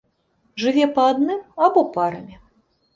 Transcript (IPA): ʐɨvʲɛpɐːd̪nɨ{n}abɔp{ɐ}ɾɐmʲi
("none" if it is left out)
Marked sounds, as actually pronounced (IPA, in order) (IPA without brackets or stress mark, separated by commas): m, a